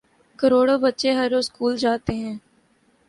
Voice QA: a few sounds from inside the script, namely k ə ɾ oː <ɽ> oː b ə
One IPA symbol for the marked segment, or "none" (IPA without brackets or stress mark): ɽ